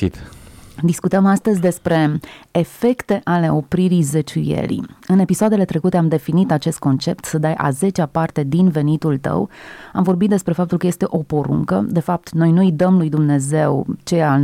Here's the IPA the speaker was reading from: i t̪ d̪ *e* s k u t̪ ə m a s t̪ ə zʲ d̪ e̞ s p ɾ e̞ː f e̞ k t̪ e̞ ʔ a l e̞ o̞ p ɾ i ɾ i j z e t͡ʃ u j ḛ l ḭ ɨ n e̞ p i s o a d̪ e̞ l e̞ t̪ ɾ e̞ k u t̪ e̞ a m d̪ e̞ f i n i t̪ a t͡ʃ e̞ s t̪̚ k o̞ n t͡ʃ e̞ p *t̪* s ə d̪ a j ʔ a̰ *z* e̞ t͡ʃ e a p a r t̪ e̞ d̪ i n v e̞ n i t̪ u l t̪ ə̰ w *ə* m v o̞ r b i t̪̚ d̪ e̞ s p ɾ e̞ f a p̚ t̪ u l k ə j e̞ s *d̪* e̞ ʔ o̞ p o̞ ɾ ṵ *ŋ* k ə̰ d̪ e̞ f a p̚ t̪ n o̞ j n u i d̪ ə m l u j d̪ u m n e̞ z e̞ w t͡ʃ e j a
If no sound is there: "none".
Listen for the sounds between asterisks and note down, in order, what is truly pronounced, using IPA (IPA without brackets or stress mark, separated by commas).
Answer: i, t̪, z, a, t̪, ŋ